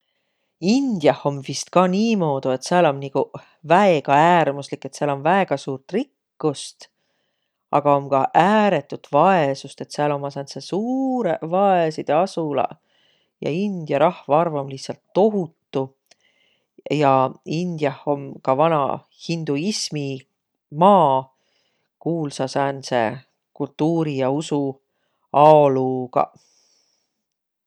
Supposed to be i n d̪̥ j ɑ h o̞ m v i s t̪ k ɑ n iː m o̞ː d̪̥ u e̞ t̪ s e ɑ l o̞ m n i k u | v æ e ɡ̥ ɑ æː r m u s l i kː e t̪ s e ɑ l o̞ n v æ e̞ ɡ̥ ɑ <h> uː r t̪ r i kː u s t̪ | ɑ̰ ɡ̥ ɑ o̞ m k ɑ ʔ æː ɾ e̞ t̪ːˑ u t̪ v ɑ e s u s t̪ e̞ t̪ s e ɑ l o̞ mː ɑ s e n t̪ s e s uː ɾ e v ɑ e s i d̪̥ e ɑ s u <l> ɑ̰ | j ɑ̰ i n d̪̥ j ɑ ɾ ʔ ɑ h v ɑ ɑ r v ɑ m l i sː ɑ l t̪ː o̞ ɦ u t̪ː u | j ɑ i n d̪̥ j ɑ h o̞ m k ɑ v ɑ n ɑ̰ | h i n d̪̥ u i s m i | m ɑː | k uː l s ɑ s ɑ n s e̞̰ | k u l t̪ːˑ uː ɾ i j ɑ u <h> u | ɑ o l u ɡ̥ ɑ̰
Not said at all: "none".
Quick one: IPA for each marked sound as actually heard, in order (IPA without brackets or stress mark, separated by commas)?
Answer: s, l, s